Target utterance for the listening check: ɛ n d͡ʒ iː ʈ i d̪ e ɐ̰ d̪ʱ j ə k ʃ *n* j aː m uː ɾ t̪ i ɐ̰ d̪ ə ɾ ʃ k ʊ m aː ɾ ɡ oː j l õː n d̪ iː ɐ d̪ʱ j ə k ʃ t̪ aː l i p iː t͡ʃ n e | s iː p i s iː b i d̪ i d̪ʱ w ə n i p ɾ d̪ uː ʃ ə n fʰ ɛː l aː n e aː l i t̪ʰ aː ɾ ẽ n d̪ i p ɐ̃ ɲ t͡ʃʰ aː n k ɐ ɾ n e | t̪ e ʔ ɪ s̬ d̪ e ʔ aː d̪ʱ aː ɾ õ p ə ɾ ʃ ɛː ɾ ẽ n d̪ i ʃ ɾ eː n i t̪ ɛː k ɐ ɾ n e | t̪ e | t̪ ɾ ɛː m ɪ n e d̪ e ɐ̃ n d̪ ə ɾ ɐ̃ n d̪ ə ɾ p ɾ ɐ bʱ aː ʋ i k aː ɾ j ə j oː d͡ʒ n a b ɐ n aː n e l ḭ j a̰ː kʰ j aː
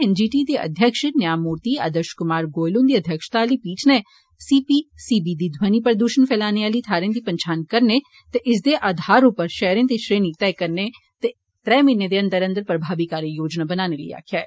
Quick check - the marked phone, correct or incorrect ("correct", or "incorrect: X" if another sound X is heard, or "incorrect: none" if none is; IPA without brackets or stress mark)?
correct